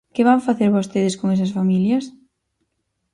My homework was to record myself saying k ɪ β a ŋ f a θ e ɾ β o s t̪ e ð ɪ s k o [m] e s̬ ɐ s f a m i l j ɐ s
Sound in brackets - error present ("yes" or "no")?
yes